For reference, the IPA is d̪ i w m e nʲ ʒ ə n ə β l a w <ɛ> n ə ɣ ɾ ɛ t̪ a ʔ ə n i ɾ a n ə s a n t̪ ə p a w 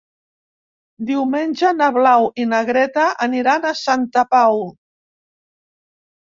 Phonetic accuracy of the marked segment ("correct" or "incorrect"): incorrect